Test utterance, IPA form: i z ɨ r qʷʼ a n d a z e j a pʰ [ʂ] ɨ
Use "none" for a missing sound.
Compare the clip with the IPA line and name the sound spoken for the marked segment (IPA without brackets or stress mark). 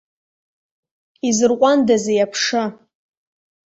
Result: ʂ